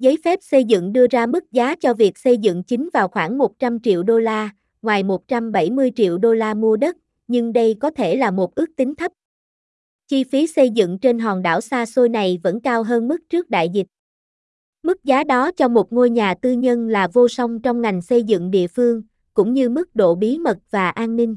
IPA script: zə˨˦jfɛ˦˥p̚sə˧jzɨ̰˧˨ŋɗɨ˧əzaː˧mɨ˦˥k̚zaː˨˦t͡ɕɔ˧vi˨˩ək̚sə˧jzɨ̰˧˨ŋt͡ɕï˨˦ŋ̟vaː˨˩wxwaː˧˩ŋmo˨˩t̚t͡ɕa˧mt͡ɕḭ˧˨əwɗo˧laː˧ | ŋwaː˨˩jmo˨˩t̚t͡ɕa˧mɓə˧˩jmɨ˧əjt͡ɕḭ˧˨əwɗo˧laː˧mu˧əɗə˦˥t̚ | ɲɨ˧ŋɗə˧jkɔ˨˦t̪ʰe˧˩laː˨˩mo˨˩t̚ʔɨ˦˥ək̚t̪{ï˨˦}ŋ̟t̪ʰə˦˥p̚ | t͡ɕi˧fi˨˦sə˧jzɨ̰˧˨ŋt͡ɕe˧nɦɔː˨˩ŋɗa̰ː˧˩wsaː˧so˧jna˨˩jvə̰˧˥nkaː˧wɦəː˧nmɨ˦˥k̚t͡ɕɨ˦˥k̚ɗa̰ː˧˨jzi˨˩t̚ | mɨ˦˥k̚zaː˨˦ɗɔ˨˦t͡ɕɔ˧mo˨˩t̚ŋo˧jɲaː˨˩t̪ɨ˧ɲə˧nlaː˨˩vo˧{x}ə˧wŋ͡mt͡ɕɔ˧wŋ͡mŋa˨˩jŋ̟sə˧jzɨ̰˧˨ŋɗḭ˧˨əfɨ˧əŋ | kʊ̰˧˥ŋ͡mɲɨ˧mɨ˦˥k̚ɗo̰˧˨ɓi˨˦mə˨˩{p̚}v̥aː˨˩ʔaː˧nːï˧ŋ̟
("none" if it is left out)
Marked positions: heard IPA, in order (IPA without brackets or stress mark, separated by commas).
ï˨˦, s, t̚